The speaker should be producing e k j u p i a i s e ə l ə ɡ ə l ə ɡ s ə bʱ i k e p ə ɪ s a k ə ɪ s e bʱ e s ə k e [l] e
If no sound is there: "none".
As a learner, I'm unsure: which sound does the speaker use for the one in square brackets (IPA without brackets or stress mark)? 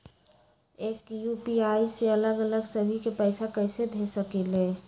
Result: l